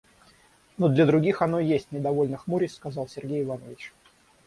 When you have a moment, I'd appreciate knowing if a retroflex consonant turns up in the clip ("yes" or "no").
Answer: no